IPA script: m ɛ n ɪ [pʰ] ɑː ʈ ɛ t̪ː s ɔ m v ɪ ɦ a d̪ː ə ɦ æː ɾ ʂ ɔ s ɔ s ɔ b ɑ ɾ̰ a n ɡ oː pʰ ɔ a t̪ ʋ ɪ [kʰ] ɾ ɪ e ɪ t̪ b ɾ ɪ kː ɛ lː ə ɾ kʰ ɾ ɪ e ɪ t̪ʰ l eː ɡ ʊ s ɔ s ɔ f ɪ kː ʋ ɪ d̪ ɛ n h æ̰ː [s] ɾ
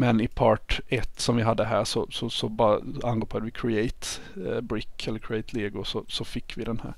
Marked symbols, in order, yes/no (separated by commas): yes, yes, no